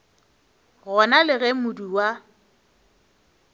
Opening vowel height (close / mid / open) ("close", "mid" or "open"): mid